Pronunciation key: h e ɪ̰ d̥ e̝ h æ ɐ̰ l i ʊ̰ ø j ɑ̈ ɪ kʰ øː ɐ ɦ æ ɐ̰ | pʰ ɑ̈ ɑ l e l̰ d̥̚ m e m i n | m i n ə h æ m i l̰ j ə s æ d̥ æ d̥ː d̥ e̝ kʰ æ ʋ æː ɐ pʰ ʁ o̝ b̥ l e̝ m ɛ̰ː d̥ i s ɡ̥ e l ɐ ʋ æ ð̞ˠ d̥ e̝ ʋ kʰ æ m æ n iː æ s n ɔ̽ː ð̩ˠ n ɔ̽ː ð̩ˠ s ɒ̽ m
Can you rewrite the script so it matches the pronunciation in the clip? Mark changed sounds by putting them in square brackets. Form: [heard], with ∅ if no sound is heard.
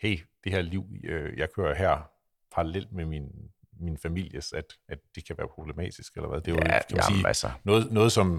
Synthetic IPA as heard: h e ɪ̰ d̥ e̝ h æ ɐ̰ l i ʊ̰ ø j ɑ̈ ɪ kʰ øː ɐ ɦ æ ɐ̰ | pʰ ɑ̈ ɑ l e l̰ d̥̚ m e m i n | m i n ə [f] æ m i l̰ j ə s æ d̥ æ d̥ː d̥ e̝ kʰ æ ʋ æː ɐ pʰ ʁ o̝ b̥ l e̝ m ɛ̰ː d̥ i s ɡ̥ e l ɐ ʋ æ ð̞ˠ d̥ e̝ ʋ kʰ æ m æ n iː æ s n ɔ̽ː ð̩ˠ n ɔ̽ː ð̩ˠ s ɒ̽ m